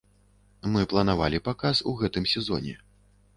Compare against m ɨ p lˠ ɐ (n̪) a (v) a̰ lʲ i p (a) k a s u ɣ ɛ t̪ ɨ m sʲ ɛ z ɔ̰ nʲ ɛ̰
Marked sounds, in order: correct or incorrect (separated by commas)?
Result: correct, correct, correct